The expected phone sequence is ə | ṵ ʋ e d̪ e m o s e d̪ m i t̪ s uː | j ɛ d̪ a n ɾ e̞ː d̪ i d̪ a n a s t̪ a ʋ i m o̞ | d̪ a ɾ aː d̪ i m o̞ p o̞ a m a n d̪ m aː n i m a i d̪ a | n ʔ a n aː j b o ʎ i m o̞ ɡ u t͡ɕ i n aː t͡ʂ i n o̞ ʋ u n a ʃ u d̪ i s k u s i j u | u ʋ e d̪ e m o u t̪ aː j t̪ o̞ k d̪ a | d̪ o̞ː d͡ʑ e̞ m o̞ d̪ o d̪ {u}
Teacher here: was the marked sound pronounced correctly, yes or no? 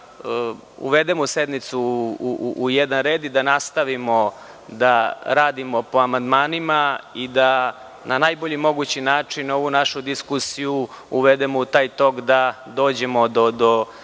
no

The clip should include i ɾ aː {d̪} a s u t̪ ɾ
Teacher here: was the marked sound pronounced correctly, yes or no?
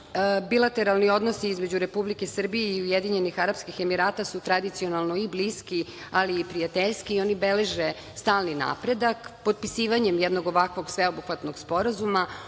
no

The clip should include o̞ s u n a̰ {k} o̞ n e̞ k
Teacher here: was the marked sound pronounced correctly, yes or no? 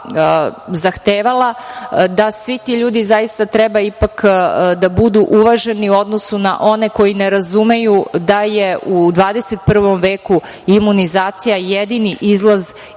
no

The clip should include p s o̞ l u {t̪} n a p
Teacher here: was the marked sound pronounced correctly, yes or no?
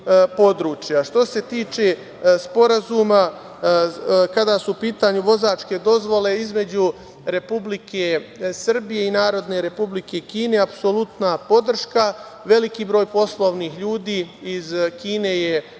yes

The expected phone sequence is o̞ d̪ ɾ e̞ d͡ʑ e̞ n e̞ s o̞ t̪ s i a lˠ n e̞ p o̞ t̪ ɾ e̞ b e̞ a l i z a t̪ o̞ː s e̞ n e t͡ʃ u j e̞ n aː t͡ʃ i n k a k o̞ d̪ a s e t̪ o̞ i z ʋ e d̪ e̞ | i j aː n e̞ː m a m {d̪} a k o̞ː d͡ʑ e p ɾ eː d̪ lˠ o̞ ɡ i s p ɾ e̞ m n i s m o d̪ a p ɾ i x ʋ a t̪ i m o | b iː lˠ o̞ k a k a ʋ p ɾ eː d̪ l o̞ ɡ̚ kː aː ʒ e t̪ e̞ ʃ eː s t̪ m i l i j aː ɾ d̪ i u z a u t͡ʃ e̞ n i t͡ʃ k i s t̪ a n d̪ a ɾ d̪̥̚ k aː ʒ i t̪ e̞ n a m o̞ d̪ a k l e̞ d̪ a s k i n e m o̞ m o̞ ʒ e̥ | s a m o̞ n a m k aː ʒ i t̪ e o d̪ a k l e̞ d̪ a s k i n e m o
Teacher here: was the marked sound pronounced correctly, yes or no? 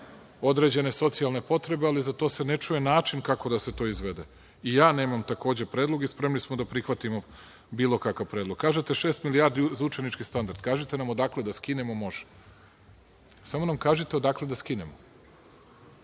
no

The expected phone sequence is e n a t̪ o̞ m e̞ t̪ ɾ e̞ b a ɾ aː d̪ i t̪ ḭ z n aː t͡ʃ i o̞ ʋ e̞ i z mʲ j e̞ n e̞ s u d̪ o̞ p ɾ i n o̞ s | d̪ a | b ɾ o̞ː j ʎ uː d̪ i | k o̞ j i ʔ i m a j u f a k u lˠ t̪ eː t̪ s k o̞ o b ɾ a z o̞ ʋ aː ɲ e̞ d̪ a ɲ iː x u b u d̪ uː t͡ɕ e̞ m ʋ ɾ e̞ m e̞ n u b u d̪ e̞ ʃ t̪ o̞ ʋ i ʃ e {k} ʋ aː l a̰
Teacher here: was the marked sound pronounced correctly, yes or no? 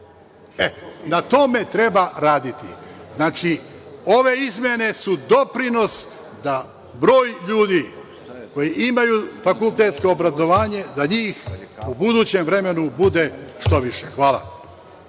no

